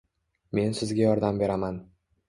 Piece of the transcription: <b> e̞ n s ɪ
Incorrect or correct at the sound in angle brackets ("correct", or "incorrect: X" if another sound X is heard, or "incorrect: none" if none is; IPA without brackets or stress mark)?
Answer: incorrect: m